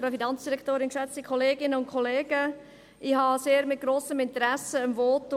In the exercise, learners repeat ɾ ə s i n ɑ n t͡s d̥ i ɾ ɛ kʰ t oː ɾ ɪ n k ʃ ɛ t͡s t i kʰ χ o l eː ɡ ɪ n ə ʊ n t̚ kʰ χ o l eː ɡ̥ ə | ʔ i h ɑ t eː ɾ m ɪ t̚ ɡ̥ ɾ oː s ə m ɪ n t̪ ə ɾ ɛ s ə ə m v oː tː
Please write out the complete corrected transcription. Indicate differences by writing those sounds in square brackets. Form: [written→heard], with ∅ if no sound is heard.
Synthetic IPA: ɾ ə [s→f] i n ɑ n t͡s d̥ i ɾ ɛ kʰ t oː ɾ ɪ n k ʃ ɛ t͡s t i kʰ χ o l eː ɡ ɪ n ə ʊ n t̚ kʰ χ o l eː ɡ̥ ə | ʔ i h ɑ [t→s] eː ɾ m ɪ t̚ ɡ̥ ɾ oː s ə m ɪ n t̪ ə ɾ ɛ s ə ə m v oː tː